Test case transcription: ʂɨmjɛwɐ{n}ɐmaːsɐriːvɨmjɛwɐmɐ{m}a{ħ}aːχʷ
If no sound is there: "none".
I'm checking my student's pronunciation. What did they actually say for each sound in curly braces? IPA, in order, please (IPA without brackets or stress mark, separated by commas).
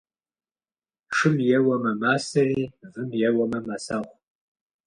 m, m, s